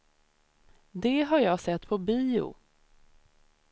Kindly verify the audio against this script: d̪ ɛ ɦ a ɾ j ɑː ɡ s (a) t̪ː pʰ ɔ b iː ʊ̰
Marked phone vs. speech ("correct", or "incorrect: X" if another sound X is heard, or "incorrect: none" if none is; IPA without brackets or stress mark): incorrect: ɛ